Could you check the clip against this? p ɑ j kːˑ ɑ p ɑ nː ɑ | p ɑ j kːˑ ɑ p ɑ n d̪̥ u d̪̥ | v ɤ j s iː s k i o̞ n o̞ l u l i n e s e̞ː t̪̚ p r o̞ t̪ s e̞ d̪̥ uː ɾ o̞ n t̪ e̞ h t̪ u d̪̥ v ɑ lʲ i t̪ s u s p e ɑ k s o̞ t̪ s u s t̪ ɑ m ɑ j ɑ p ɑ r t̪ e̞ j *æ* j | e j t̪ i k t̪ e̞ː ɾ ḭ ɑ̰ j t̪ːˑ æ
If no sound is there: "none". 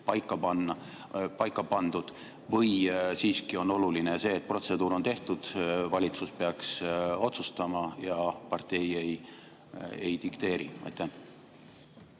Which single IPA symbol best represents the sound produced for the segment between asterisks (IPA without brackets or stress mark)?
e